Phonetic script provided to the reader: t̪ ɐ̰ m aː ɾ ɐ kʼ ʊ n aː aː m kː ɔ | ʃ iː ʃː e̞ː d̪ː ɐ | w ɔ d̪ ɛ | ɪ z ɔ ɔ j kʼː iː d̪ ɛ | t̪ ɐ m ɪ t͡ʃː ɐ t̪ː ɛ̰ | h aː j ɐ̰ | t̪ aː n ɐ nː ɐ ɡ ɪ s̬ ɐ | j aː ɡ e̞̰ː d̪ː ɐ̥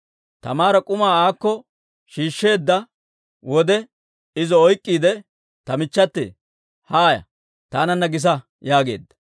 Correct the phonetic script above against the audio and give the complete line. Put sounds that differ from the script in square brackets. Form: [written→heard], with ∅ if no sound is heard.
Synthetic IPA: t̪ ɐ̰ m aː ɾ ɐ kʼ ʊ [n→m] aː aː [m→∅] kː ɔ | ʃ iː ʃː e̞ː d̪ː ɐ | w ɔ d̪ ɛ | ɪ z ɔ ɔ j kʼː iː d̪ ɛ | t̪ ɐ m ɪ t͡ʃː ɐ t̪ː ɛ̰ | h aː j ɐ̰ | t̪ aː n ɐ nː ɐ ɡ ɪ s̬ ɐ | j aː ɡ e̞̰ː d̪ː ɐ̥